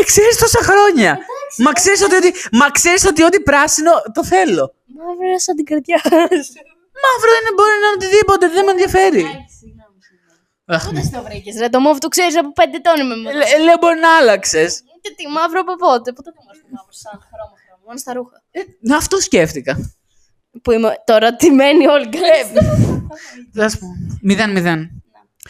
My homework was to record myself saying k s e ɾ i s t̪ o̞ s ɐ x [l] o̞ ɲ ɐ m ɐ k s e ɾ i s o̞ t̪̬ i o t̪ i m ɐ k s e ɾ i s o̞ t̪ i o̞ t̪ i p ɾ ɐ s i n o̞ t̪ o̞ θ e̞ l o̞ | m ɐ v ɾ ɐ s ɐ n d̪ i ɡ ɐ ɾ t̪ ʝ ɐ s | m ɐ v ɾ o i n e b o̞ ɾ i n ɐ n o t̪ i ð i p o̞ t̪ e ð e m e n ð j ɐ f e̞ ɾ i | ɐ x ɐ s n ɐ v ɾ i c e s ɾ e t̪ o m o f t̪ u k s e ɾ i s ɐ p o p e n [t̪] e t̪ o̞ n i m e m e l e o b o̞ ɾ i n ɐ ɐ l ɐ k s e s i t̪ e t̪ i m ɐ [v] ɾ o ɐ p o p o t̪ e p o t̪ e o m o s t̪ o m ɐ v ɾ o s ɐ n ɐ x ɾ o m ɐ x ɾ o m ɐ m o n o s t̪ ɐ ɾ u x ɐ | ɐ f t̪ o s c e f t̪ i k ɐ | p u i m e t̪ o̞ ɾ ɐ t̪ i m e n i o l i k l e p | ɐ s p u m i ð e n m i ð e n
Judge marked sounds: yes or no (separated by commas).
no, no, yes